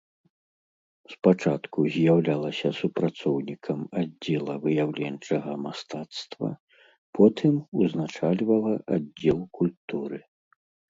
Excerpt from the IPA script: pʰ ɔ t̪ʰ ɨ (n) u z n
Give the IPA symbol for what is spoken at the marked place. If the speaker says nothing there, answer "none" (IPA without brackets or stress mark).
m